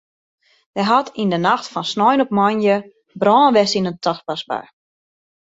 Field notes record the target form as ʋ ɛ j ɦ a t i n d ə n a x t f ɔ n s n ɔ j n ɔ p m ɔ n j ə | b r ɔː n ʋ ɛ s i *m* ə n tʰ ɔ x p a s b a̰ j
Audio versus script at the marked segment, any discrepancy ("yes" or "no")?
yes